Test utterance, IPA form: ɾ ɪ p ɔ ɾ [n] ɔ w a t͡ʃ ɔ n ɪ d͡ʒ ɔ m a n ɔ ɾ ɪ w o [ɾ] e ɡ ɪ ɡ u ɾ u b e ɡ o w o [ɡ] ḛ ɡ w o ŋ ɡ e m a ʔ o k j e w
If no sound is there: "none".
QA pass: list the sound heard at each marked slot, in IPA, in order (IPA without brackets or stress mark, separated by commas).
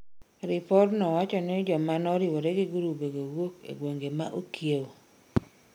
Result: n, ɾ, k